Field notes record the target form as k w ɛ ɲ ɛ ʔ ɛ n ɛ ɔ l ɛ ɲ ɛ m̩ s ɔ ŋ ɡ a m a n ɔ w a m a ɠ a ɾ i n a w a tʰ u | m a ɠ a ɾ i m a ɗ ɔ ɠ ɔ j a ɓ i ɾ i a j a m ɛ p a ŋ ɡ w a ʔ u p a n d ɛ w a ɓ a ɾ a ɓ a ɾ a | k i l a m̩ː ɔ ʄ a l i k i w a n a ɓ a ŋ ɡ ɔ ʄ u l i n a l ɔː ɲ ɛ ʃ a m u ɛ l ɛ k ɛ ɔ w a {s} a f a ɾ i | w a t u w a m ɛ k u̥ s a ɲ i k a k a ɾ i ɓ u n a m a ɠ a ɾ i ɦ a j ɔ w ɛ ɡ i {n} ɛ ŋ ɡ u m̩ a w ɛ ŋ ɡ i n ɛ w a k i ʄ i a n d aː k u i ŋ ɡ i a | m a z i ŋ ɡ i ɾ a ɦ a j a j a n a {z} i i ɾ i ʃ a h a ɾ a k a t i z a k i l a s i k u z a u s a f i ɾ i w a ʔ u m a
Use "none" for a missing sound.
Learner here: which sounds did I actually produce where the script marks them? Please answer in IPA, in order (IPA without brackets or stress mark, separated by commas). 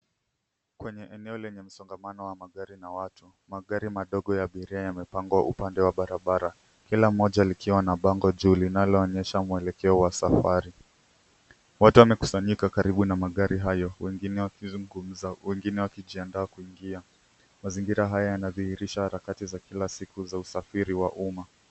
s, n, ð